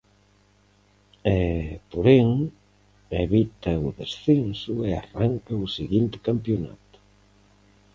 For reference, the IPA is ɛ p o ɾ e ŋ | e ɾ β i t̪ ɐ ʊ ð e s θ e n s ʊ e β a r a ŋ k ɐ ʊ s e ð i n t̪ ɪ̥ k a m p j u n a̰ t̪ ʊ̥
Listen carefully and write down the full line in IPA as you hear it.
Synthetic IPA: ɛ p o ɾ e ŋ | e β i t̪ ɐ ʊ ð e s θ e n s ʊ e a r a ŋ k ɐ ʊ s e ɣ i n t̪ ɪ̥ k a m p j o n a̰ t̪ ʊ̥

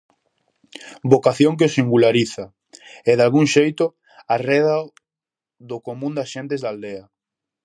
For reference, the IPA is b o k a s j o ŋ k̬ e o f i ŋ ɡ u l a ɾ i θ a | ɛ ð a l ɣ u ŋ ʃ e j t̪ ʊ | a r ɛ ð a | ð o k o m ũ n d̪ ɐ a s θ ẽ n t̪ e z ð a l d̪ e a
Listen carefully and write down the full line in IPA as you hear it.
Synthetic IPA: b o k a θ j o ŋ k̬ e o s i ŋ ɡ u l a ɾ i θ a | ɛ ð a l ɣ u ŋ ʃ e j t̪ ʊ | a r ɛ ð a | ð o k o m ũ n d̪ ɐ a s ʃ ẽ n t̪ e z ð a l d̪ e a

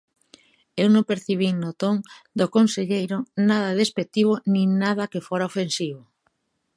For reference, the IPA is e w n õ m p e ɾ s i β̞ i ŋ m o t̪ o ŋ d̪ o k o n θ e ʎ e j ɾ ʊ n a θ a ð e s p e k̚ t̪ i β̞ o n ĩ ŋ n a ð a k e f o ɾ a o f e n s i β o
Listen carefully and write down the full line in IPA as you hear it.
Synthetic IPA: e w n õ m p e ɾ θ i β̞ i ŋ n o t̪ o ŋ d̪ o k o n s e ʎ e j ɾ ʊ n a ð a ð e s p e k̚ t̪ i β̞ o n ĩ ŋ n a ð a k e f o ɾ a o f e n s i β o

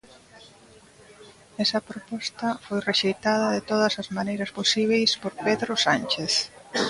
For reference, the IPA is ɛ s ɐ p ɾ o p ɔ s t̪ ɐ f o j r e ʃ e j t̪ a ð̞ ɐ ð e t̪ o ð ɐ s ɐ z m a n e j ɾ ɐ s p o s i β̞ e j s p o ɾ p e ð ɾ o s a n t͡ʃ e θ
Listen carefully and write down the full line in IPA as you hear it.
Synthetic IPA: ɛ s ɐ p ɾ o p ɔ s t̪ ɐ f o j r e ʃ e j t̪ a ð̞ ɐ ð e t̪ o ð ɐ s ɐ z m a n e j ɾ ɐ s p o s i β̞ e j s p o ɾ p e ð ɾ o s a n t͡ʃ e θ

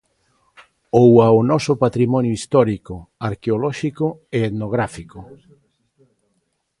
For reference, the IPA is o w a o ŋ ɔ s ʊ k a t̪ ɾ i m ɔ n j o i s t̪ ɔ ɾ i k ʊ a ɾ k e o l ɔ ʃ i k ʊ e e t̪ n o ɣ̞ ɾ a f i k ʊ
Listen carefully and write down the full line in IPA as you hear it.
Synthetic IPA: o w a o n ɔ s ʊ p a t̪ ɾ i m ɔ n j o i s t̪ ɔ ɾ i k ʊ a ɾ k e o l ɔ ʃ i k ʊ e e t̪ n o ɣ̞ ɾ a f i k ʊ

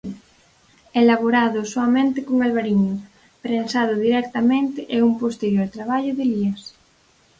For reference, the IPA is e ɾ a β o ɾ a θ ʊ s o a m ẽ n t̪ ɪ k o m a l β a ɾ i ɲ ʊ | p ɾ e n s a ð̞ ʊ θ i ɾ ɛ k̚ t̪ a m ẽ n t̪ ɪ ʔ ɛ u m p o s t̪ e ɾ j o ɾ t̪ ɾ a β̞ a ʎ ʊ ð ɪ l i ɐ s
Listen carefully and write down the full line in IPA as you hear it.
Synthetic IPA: e l a β o ɾ a ð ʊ s o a m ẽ n t̪ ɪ k o ŋ a l β a ɾ i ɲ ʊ | p ɾ e n s a ð̞ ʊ ð i ɾ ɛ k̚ t̪ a m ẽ n t̪ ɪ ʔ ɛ u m p o s t̪ e ɾ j o ɾ t̪ ɾ a β̞ a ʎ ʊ ð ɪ l i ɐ s

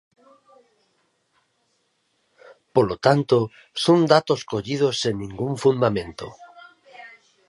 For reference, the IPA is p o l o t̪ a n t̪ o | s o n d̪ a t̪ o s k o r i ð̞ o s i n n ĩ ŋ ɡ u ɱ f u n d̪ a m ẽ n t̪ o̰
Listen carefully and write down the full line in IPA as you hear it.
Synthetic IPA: p o l o t̪ a n t̪ o | s o n d̪ a t̪ o s k o ʎ i ð̞ o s e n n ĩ ŋ ɡ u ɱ f u n d̪ a m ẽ n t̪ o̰

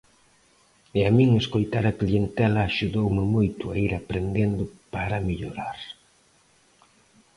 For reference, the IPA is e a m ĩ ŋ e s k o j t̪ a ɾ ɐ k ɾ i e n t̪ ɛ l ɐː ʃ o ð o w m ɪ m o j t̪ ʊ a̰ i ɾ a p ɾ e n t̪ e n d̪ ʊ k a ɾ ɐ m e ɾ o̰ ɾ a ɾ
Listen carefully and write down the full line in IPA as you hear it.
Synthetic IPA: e a m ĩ ŋ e s k o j t̪ a ɾ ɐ k l i e n t̪ ɛ l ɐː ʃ u ð o w m ɪ m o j t̪ ʊ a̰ i ɾ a p ɾ e n d̪ e n d̪ ʊ p a ɾ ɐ m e ʎ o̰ ɾ a ɾ

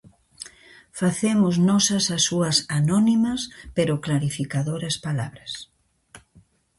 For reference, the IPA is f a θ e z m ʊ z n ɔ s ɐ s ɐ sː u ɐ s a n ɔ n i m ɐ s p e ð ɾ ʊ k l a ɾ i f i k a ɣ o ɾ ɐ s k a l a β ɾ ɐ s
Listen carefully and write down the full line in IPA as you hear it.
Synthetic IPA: f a θ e m ʊ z n ɔ s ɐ s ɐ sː u ɐ s a n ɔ n i m ɐ s p e ɾ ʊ k l a ɾ i f i k a ð o ɾ ɐ s p a l a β ɾ ɐ s

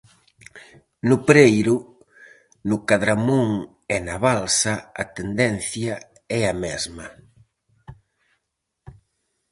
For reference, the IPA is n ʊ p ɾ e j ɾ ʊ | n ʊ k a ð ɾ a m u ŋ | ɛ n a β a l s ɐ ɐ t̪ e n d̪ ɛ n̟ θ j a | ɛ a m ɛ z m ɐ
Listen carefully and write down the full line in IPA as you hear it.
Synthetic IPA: n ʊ p ɾ e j ɾ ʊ | n ʊ k a ð ɾ a m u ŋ | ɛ n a β a l s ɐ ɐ t̪ e n d̪ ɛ n̟ θ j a | ɛ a m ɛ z m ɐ

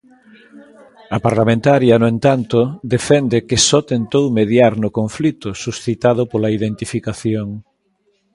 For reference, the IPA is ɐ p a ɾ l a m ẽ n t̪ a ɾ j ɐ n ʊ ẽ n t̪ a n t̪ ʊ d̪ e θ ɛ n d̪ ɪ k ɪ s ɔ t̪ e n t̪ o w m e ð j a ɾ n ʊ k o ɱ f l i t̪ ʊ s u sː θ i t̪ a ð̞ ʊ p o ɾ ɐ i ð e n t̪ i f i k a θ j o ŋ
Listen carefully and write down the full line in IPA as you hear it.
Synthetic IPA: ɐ p a ɾ l a m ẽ n t̪ a ɾ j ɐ n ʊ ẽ n t̪ a n t̪ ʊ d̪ e f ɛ n d̪ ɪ k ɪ s ɔ t̪ e n t̪ o w m e ð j a ɾ n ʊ k o ɱ f l i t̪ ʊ s u s θ i t̪ a ð̞ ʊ p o l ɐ i ð e n t̪ i f i k a θ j o ŋ

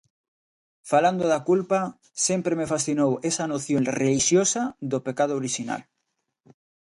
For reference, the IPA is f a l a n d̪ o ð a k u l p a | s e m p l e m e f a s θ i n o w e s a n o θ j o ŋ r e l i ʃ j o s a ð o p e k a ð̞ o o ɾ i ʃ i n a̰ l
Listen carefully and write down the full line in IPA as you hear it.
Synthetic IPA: f a l a n d̪ o ð a k u l p a | s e m p ɾ e m e f a s θ i n o w e s a n o θ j o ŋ r e l i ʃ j o s a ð o p e k a ð̞ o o ɾ i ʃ i n a̰ l

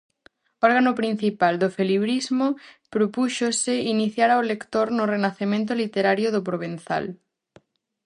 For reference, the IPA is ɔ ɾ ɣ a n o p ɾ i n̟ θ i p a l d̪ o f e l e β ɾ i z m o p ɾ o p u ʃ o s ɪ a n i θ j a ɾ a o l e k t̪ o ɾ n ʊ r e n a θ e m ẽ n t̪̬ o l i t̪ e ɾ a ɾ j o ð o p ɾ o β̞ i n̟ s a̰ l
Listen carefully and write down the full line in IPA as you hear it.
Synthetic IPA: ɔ ɾ ɣ a n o p ɾ i n̟ θ i p a l d̪ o f e l i β ɾ i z m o p ɾ o p u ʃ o s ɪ i n i θ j a ɾ a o l e k t̪ o ɾ n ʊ r e n a θ e m ẽ n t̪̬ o l i t̪ e ɾ a ɾ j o ð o p ɾ o β̞ e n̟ θ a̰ l

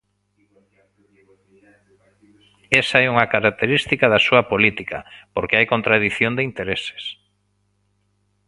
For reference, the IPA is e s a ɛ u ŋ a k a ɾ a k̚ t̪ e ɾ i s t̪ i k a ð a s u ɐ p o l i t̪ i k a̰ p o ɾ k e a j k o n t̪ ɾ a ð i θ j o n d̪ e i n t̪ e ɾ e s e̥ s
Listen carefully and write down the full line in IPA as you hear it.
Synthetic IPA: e s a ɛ u ŋ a k a ɾ a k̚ t̪ e ɾ i s t̪ i k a ð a s u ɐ p o l i t̪ i k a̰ p o ɾ k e a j k o n t̪ ɾ a ð i θ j o n d̪ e i n t̪ e ɾ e s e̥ s

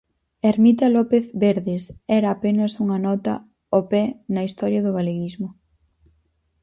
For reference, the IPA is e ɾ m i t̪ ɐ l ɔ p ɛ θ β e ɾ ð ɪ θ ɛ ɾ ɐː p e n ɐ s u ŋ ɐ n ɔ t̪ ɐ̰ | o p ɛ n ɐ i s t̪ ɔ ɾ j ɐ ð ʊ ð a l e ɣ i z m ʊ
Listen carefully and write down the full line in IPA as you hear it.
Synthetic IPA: e ɾ m i t̪ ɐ l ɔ p e θ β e ɾ ð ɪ s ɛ ɾ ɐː p e n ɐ s u ŋ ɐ n ɔ t̪ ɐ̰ | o p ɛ n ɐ i s t̪ ɔ ɾ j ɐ ð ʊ ɣ a l e ɣ i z m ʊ

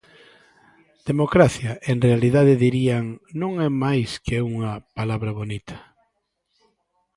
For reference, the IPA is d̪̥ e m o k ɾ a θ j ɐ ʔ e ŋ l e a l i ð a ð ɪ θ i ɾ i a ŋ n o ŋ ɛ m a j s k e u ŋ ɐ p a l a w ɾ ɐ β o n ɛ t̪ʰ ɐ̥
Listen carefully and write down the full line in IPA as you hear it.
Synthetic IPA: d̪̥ e m o k ɾ a θ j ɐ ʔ e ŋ r e a l i ð a ð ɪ ð i ɾ i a ŋ n õ ŋ ɛ m a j s k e u ŋ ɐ p a l a β ɾ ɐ β o n i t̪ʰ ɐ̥

